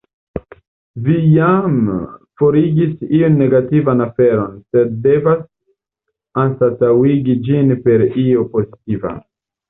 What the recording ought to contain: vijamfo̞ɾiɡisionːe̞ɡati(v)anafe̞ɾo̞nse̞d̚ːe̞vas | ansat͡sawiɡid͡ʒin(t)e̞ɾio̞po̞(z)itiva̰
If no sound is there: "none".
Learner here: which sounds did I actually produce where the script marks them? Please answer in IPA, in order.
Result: v, p, z

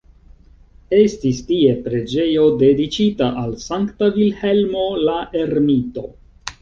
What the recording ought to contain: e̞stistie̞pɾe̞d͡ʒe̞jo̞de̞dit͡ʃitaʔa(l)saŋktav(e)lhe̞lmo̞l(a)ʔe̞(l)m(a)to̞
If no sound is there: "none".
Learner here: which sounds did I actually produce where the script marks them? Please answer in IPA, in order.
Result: l, i, a, ɾ, i

